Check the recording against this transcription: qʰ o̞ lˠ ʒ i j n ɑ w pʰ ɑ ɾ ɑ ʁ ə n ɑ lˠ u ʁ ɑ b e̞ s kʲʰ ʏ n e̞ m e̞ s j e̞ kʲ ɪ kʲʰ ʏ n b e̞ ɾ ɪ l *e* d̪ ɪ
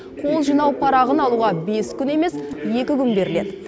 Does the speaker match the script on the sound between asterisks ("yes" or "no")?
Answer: yes